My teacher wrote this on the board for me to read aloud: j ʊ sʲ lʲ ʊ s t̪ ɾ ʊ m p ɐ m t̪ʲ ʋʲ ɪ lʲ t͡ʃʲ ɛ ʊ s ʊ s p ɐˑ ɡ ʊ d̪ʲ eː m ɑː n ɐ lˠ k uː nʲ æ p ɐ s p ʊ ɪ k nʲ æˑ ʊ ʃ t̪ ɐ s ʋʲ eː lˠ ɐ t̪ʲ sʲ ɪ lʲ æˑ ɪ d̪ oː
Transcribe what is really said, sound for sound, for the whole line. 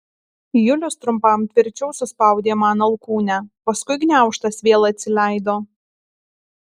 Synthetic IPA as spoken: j ʊ lʲ ʊ s t̪ ɾ ʊ m p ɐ m t̪ʲ ʋʲ ɪ ɾʲ t͡ʃʲ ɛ ʊ s ʊ s p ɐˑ ʊ d̪ʲ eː m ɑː n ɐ lˠ k uː nʲ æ p ɐ s k ʊ ɪ ɡ nʲ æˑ ʊ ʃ t̪ ɐ s ʋʲ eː lˠ ɐ t̪ʲ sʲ ɪ lʲ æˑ ɪ d̪ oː